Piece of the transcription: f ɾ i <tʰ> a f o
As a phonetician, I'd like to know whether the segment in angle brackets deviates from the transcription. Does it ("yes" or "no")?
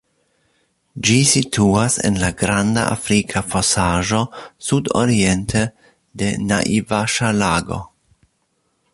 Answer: yes